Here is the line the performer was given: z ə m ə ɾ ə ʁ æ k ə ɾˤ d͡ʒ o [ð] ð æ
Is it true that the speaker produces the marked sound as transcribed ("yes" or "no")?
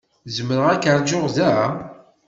no